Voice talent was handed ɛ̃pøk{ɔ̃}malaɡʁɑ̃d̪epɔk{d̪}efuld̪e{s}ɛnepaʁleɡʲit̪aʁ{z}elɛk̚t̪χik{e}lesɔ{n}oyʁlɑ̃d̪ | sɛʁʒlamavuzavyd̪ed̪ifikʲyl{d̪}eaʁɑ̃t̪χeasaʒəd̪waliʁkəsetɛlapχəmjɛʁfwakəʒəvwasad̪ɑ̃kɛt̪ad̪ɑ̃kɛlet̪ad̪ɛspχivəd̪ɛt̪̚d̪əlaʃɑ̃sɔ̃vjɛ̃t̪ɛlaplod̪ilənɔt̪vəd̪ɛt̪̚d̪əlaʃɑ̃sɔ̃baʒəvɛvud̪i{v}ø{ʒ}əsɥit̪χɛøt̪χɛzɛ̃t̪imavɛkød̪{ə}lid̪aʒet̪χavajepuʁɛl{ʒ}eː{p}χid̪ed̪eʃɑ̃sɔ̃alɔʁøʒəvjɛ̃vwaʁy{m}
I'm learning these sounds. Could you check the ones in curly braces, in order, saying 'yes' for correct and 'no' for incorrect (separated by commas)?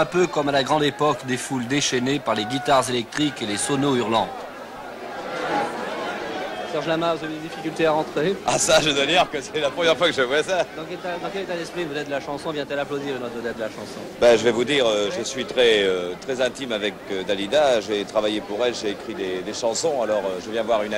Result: no, yes, no, yes, yes, yes, no, no, yes, no, yes, no, no